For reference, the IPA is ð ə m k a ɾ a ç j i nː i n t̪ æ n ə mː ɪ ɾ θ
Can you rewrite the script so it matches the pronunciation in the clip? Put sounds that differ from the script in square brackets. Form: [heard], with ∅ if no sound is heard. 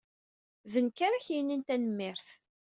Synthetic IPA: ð ə [n] k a ɾ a ç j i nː i n t̪ æ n ə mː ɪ ɾ θ